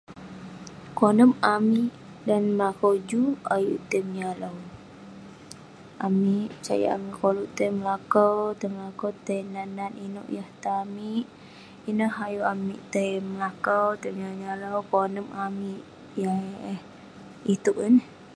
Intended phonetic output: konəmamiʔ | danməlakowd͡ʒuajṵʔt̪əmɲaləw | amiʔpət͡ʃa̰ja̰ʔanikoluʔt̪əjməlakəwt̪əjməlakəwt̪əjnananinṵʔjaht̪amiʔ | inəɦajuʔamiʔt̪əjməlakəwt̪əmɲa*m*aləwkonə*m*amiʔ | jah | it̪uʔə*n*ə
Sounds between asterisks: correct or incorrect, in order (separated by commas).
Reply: incorrect, correct, correct